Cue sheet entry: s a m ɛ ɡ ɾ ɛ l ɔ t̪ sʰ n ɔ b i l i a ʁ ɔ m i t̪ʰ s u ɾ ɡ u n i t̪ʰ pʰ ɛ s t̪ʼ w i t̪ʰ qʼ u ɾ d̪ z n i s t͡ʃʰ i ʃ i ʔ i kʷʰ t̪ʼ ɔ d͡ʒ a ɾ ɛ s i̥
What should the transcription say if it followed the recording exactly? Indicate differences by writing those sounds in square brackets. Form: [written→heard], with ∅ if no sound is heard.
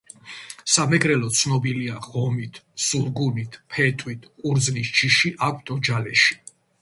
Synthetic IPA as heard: s a m ɛ ɡ ɾ ɛ l ɔ t̪ sʰ n ɔ b i l i a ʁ ɔ m i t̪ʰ s u ɾ ɡ u n i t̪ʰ pʰ ɛ [s→∅] t̪ʼ w i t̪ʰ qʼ u ɾ d̪ z n i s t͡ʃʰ i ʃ i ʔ [i→a] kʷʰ t̪ʼ ɔ d͡ʒ a [ɾ→l] ɛ [s→ʃ] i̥

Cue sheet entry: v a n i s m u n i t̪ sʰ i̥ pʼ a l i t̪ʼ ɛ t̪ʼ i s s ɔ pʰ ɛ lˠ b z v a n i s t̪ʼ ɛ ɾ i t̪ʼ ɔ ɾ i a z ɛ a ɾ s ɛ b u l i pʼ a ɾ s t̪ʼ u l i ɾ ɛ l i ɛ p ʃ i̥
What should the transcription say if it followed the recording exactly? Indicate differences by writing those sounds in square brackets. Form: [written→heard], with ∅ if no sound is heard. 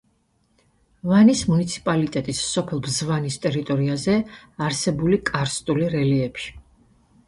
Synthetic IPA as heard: v a n i s m u n i t̪ sʰ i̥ pʼ a l i t̪ʼ ɛ t̪ʼ i s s ɔ pʰ ɛ lˠ b z v a n i s t̪ʼ ɛ ɾ i t̪ʼ ɔ ɾ i a z ɛ a ɾ s ɛ b u l i [pʼ→kʼ] a ɾ s t̪ʼ u l i ɾ ɛ l i ɛ p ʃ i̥

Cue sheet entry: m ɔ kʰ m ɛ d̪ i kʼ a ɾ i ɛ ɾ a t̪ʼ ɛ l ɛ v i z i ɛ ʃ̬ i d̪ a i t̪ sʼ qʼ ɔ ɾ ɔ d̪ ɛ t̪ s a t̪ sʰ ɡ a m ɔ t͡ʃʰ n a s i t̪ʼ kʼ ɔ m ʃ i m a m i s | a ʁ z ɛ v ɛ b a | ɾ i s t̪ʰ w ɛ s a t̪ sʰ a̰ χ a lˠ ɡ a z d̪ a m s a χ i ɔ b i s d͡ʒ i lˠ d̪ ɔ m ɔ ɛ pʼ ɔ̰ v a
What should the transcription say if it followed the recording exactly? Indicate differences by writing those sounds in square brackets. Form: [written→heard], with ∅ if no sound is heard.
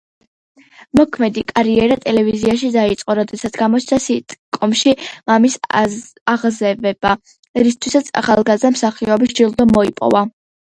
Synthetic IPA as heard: m ɔ kʰ m ɛ d̪ i kʼ a ɾ i ɛ ɾ a t̪ʼ ɛ l ɛ v i z i [ɛ→a] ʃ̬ i d̪ a i t̪ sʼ qʼ ɔ ɾ ɔ d̪ ɛ [t̪→∅] s a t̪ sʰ ɡ a m ɔ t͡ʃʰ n a s i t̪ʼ kʼ ɔ m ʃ i m a m i s | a ʁ z ɛ v ɛ b a | ɾ i s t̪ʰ w [ɛ→i] s a t̪ sʰ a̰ χ a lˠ ɡ a z d̪ a m s a χ i ɔ b i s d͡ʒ i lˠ d̪ ɔ m ɔ [ɛ→i] pʼ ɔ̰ v a

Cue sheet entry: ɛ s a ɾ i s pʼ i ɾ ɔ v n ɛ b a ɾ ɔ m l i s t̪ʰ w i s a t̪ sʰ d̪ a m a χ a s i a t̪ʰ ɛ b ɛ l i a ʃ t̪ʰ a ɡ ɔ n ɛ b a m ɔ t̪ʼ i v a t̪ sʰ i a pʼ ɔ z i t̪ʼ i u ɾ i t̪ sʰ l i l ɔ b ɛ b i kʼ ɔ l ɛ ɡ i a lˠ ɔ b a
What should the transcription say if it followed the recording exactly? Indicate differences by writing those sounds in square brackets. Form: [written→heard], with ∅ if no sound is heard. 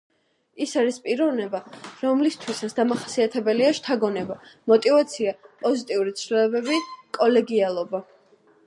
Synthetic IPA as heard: [ɛ→i] s a ɾ i s pʼ i ɾ ɔ v n ɛ b a ɾ ɔ m l i s t̪ʰ w i s a t̪ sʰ d̪ a m a χ a s i a t̪ʰ ɛ b ɛ l i a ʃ t̪ʰ a ɡ ɔ n ɛ b a m ɔ t̪ʼ i v a t̪ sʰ i a pʼ ɔ z i t̪ʼ i u ɾ i t̪ sʰ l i l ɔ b ɛ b i kʼ ɔ l ɛ ɡ i a lˠ ɔ b a

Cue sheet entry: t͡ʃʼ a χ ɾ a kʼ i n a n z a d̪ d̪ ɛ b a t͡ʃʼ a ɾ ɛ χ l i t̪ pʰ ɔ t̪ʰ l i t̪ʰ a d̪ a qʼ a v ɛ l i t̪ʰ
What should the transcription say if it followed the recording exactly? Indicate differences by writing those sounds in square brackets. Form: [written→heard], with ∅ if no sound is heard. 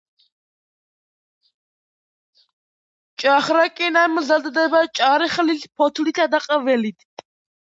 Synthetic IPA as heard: t͡ʃʼ a χ ɾ a kʼ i n a [n→m] z a d̪ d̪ ɛ b a t͡ʃʼ a ɾ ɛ χ l i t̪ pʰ ɔ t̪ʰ l i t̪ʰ a d̪ a qʼ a v ɛ l i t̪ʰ

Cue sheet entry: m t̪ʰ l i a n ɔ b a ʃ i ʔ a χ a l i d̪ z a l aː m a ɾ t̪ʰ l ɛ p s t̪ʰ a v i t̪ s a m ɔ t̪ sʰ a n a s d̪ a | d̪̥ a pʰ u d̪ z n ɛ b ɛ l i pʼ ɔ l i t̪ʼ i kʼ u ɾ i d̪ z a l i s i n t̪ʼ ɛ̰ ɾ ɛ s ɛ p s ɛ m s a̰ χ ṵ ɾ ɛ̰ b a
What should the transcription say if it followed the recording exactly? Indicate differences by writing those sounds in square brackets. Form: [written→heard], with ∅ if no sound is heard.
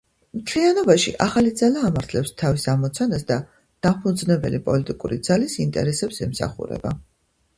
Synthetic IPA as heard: m t̪ʰ l i a n ɔ b a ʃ i ʔ a χ a l i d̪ z a l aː m a ɾ t̪ʰ l ɛ p s t̪ʰ a v i [t̪→∅] s a m ɔ t̪ sʰ a n a s d̪ a | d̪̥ a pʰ u d̪ z n ɛ b ɛ l i pʼ ɔ l i t̪ʼ i kʼ u ɾ i d̪ z a l i s i n t̪ʼ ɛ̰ ɾ ɛ s ɛ p s ɛ m s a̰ χ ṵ ɾ ɛ̰ b a

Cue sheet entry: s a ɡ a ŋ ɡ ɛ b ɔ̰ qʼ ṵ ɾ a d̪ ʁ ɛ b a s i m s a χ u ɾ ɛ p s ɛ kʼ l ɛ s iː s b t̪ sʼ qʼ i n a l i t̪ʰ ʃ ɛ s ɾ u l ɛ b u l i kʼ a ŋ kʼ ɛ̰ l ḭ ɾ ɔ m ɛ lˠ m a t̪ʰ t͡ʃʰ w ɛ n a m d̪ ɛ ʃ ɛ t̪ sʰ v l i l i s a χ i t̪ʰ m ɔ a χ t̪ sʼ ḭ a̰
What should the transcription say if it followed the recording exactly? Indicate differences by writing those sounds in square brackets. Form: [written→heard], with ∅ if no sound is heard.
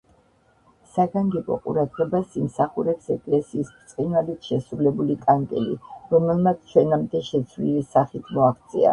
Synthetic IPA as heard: s a ɡ a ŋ ɡ ɛ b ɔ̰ qʼ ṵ ɾ a d̪ ʁ ɛ b a s i m s a χ u ɾ ɛ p s ɛ kʼ l ɛ s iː s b t̪ sʼ qʼ i n a l i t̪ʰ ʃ ɛ s ɾ u l ɛ b u l i kʼ a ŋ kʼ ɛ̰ l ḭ ɾ ɔ m ɛ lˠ m a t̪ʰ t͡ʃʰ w ɛ n a m d̪ ɛ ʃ ɛ t̪ sʰ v l i l i s a χ i t̪ʰ m ɔ a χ t̪ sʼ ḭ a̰

